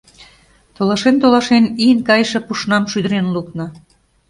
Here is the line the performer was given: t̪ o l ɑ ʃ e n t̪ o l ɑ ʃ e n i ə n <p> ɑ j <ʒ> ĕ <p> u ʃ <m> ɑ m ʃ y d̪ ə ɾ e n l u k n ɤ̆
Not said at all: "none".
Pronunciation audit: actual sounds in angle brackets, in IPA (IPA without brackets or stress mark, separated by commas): k, ʃ, p, n